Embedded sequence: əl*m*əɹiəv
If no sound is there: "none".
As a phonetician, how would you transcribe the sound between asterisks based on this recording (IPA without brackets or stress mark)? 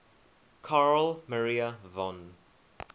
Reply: m